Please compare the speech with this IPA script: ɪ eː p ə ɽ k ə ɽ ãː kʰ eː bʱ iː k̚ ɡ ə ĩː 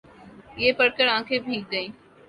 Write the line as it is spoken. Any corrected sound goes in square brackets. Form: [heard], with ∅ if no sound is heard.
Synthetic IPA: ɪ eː p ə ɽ k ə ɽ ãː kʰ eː bʱ iː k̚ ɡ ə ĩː